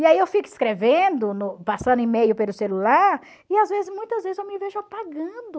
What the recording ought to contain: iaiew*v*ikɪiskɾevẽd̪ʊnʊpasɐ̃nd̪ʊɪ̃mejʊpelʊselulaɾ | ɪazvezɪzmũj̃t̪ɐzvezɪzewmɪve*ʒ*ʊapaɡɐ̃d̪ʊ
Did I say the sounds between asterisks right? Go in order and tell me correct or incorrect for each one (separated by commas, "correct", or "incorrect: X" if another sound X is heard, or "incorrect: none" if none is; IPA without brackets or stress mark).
incorrect: f, correct